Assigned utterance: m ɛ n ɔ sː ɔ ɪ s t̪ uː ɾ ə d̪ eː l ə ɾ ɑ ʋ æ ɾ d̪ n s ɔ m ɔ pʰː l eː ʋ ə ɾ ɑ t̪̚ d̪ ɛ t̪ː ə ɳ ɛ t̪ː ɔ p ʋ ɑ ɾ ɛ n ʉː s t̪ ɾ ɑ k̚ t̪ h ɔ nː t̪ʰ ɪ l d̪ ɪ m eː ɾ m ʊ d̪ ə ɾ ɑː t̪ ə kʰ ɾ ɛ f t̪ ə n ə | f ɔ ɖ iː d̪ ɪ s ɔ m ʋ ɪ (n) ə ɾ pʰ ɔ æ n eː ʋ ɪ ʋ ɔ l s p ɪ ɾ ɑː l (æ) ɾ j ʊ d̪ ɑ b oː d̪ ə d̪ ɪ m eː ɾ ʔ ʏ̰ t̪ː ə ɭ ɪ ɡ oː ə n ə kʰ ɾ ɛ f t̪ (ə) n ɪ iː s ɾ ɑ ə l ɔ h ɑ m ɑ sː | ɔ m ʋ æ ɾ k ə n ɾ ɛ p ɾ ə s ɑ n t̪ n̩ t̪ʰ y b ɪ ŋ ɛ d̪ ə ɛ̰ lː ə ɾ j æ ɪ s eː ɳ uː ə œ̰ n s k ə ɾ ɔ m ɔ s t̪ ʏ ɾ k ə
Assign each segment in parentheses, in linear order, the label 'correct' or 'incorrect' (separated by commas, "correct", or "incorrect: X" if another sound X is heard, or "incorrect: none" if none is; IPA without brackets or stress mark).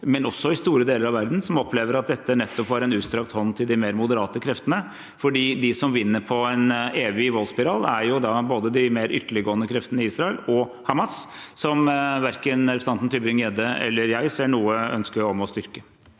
incorrect: nː, correct, correct